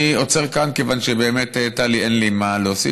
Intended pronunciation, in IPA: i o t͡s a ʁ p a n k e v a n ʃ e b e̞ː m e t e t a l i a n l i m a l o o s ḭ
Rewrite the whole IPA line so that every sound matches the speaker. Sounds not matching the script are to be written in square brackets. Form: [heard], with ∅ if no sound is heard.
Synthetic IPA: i o t͡s [e] ʁ [k] a n k e v a n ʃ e b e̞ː m e t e t a l i [e] n l i m a l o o s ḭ